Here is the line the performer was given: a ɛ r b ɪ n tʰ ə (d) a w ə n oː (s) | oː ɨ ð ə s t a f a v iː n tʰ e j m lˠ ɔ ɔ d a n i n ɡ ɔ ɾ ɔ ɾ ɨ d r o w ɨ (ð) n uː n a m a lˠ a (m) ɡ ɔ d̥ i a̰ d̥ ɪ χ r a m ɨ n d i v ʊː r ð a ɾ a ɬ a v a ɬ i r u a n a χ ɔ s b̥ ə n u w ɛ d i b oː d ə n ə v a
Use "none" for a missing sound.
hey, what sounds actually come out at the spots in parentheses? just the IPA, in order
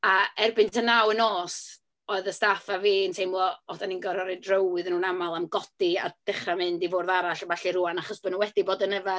n, s, ð, m

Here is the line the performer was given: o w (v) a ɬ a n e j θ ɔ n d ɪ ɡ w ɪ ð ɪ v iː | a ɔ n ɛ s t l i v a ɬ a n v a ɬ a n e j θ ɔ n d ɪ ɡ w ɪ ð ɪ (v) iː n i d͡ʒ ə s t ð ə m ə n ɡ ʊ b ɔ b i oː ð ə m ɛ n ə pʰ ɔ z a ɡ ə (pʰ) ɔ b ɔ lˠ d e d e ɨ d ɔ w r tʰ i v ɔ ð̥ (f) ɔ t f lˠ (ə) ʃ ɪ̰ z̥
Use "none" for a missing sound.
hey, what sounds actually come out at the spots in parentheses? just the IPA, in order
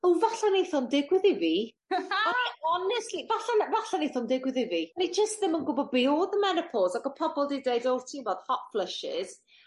v, v, pʰ, h, ə

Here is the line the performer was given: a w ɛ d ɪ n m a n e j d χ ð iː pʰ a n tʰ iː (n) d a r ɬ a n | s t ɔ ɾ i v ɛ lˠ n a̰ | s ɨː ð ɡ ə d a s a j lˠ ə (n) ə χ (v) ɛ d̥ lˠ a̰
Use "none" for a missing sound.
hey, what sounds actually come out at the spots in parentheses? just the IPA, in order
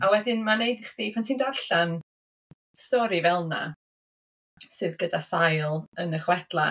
n, n, w

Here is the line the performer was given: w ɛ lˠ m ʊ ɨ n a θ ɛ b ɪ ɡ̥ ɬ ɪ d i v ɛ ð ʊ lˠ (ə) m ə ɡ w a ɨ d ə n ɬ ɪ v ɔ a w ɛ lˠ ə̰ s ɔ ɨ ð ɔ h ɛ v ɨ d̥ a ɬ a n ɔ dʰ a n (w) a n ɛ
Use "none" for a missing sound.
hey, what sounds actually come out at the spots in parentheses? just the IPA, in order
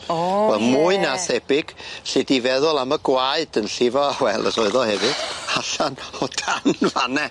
a, v

